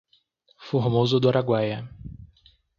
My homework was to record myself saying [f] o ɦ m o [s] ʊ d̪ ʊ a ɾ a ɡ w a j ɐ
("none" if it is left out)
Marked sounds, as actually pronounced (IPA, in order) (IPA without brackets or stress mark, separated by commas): f, z